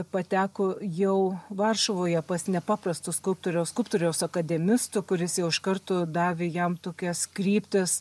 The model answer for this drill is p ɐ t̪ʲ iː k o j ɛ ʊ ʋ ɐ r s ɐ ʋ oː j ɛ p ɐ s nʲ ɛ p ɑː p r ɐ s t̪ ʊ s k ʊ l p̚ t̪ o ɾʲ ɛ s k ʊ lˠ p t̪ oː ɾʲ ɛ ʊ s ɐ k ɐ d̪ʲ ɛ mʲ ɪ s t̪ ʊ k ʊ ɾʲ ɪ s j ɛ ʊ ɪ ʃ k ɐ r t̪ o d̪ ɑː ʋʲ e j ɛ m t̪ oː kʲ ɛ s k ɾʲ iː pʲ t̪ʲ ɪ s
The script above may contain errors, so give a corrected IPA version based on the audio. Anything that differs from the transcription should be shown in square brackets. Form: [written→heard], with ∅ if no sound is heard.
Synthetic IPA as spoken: p ɐ t̪ʲ [iː→æː] k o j ɛ ʊ ʋ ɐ r [s→ʃ] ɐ ʋ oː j ɛ p ɐ s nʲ ɛ p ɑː p r ɐ s t̪ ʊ s k ʊ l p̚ t̪ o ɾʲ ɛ s k ʊ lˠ p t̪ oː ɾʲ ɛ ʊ s ɐ k ɐ d̪ʲ ɛ mʲ ɪ s t̪ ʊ k ʊ ɾʲ ɪ s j ɛ ʊ ɪ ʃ k ɐ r t̪ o d̪ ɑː ʋʲ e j ɛ m t̪ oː kʲ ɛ s k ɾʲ iː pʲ t̪ʲ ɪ s